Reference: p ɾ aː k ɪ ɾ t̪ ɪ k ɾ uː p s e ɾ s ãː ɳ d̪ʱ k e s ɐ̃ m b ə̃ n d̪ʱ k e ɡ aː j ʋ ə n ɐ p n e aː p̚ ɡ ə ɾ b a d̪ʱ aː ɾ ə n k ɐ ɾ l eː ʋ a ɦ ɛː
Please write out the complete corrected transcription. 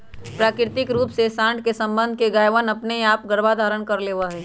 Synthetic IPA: p ɾ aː k ɪ ɾ t̪ ɪ k ɾ uː p s e s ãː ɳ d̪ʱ k e s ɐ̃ m b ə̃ n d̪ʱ k e ɡ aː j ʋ ə n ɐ p n e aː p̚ ɡ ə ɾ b a d̪ʱ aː ɾ ə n k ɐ ɾ l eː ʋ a ɦ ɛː